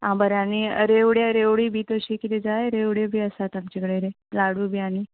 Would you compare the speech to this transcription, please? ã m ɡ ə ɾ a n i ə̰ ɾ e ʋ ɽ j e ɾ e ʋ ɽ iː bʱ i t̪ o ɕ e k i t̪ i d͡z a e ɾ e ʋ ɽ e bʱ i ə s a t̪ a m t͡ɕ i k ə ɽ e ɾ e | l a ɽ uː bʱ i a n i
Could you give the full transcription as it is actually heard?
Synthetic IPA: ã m b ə ɾ a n i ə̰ ɾ e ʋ ɽ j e ɾ e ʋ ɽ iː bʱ i t̪ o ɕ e k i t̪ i d͡z a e ɾ e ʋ ɽ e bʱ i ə s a t̪ a m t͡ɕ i k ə ɽ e ɾ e | l a ɽ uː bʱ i a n i